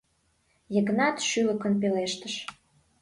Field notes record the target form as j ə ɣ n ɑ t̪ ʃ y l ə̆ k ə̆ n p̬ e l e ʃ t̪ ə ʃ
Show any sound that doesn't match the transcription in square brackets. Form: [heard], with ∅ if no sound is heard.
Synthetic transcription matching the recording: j ə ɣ n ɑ t̪ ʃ y l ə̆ k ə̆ n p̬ e l e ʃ t̪ ə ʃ